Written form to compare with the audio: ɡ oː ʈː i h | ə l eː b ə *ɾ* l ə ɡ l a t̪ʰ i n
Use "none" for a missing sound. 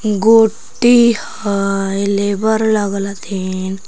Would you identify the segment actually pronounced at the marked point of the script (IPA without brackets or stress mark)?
ɾ